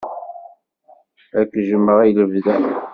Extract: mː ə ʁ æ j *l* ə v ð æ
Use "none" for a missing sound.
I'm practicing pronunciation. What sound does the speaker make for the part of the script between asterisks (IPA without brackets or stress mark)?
l